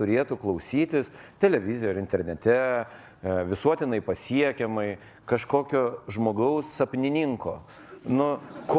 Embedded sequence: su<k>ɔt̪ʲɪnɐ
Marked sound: incorrect: none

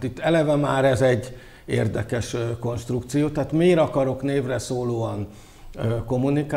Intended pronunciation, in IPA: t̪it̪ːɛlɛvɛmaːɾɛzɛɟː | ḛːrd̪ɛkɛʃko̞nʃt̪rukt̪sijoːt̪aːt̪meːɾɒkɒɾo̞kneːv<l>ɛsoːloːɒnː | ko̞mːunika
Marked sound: incorrect: r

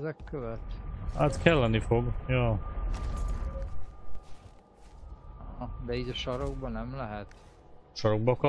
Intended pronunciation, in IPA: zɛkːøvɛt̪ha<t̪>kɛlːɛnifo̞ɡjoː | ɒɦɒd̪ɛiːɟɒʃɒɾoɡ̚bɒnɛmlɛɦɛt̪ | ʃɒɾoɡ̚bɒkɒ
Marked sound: correct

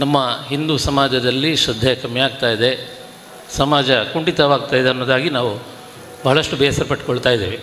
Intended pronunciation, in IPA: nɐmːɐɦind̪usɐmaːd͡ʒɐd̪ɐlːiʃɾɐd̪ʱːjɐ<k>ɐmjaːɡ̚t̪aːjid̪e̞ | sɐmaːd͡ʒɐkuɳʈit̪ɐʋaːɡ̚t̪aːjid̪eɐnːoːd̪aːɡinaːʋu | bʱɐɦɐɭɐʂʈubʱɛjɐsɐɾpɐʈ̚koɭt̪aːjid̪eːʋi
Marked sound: correct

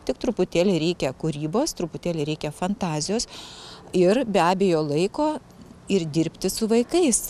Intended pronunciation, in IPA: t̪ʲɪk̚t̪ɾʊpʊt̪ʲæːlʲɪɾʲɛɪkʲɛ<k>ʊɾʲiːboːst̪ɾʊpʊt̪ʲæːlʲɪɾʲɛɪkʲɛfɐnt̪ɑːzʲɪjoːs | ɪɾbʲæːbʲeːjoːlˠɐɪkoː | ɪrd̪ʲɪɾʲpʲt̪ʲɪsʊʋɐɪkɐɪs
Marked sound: correct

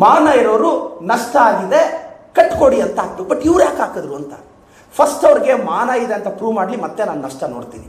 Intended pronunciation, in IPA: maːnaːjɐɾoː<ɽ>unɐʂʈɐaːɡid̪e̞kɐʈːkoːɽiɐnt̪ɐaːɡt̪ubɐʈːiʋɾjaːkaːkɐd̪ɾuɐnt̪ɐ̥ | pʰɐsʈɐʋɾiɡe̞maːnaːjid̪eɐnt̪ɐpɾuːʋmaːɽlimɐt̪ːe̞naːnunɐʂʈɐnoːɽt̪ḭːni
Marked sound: incorrect: ɾ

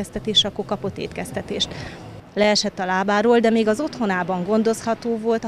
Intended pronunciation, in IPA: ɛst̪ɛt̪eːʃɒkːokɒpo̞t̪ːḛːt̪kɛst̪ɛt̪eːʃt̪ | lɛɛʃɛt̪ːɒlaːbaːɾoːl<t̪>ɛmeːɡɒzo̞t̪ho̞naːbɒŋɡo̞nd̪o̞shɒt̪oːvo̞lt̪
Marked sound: incorrect: d̪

